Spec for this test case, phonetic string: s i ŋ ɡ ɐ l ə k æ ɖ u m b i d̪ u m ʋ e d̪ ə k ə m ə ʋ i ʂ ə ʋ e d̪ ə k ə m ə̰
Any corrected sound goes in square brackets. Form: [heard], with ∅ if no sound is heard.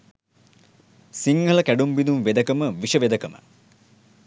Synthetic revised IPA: s i ŋ ɡ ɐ l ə k æ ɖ u m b i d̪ u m ʋ e d̪ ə k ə m ə ʋ i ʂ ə ʋ e d̪ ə k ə m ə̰